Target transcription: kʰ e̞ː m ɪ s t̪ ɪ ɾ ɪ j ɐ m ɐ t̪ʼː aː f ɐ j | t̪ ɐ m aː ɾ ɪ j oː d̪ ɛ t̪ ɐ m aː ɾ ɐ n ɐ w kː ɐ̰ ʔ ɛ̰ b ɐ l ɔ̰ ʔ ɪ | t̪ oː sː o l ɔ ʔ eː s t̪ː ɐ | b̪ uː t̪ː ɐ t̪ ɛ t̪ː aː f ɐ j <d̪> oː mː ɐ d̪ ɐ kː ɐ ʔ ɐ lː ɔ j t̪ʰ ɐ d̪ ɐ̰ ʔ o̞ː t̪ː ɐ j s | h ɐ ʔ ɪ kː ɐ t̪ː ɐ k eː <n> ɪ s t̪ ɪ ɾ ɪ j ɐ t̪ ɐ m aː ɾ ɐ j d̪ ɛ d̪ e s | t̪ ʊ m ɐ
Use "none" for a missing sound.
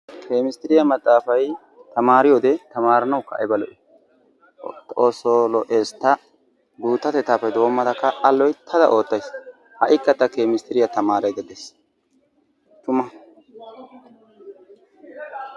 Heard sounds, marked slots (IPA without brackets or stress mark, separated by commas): d̪, m